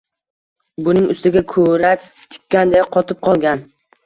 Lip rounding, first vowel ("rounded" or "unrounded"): rounded